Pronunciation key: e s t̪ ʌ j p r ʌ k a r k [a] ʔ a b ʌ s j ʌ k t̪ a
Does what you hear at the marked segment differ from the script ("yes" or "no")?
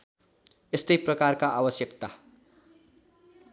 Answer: no